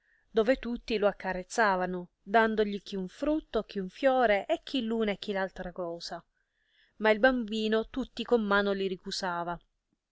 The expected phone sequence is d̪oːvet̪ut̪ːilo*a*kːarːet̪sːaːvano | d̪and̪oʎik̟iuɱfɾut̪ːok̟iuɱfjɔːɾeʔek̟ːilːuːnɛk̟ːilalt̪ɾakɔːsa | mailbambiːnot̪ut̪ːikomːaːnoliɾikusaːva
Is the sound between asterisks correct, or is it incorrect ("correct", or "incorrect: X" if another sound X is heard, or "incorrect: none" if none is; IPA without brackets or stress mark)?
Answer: correct